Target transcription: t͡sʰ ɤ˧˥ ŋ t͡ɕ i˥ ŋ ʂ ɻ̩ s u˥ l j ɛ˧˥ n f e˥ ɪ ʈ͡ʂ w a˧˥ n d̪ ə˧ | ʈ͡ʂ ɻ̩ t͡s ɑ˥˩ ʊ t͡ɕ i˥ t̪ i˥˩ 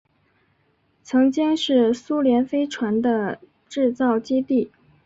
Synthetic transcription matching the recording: t͡sʰ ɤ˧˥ ŋ t͡ɕ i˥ ŋ ʂ ɻ̩ s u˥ l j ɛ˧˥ n f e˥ ɪ ʈ͡ʂʰ w a˧˥ n d̪ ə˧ | ʈ͡ʂ ɻ̩ t͡s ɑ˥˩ ʊ t͡ɕ i˥ t̪ i˥˩